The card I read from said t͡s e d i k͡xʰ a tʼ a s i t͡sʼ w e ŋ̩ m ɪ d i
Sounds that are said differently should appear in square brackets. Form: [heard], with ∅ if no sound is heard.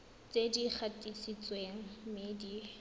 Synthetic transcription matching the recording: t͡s e d i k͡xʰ a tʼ [i] s i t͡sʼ w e ŋ̩ m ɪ d i

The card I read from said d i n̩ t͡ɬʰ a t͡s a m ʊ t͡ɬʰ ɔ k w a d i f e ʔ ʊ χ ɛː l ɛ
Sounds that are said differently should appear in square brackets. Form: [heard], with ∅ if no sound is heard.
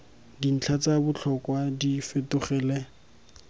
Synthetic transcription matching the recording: d i n̩ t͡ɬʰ a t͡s a [b] ʊ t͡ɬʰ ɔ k w a d i f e [t] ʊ χ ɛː l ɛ

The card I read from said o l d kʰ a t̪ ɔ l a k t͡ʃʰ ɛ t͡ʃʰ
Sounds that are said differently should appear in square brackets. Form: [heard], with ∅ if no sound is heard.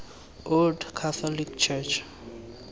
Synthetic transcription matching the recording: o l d kʰ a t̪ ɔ l [i] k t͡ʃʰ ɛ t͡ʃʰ

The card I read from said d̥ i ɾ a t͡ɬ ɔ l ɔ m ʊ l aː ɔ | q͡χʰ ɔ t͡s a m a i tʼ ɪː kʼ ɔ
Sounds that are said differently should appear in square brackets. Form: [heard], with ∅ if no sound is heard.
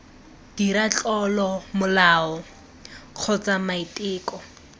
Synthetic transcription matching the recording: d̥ i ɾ a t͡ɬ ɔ l ɔ m ʊ l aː ɔ | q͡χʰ ɔ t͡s a m a i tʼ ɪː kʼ ɔ

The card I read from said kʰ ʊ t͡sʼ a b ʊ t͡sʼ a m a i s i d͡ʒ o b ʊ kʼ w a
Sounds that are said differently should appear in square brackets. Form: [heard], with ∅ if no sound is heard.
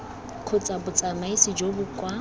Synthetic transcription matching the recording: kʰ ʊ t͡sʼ a b ʊ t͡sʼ a m a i s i d͡ʒ o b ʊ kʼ w a

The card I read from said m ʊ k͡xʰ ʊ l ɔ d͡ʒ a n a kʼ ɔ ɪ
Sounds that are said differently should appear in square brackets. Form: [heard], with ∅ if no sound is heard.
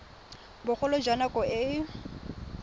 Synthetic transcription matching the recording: [b] ʊ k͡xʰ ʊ l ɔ d͡ʒ a n a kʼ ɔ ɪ

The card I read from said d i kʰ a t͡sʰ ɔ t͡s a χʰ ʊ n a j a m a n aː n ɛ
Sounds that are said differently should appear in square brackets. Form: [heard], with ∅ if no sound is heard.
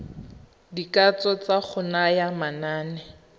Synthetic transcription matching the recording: d i [k] a [t͡s] ɔ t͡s a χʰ ʊ n a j a m a n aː n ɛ

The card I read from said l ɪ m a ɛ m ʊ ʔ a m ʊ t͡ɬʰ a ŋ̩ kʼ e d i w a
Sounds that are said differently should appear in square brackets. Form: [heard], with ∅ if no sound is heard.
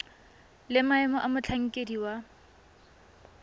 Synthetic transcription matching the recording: l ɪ m a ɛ m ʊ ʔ a m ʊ t͡ɬʰ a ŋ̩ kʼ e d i w a

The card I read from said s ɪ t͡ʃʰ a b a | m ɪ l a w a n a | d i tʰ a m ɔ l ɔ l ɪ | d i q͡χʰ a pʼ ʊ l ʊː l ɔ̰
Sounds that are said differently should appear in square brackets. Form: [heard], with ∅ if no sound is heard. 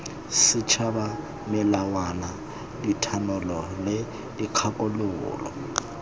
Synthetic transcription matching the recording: s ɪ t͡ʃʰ a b a | m ɪ l a w a n a | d i tʰ a [n] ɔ l ɔ l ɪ | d i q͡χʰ a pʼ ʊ l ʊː l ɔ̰

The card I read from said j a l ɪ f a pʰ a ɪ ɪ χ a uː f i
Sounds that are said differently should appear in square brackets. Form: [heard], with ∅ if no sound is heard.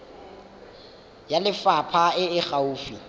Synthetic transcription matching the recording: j a l ɪ f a pʰ a ɪ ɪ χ a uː f i

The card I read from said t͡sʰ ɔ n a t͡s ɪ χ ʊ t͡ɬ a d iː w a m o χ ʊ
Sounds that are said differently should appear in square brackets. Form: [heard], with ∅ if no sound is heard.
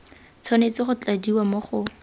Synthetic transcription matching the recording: t͡sʰ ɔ n [e] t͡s ɪ χ ʊ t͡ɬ a d [i] w a m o χ ʊ

